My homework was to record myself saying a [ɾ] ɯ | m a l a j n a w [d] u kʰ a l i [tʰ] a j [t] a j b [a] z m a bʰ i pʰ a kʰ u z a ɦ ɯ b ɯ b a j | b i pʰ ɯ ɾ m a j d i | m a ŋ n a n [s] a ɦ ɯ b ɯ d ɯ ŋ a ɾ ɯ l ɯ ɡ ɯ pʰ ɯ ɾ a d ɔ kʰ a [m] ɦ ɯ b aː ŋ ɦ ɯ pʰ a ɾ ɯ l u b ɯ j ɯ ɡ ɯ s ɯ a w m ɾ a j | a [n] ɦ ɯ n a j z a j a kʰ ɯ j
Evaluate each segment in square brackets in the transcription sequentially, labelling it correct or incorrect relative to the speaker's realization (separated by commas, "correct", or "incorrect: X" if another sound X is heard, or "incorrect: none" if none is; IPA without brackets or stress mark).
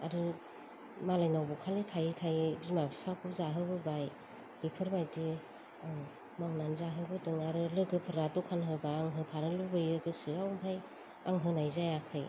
correct, incorrect: b, correct, incorrect: tʰ, incorrect: i, incorrect: z, incorrect: n, incorrect: ŋ